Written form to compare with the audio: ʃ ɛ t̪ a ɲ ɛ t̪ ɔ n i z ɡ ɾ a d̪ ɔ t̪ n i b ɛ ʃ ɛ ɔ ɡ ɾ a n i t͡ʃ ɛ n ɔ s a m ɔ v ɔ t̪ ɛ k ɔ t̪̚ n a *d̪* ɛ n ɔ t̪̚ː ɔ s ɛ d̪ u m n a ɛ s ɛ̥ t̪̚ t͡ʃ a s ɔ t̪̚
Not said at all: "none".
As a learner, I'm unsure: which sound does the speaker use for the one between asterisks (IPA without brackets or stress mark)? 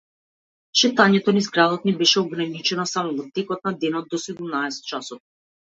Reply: d̪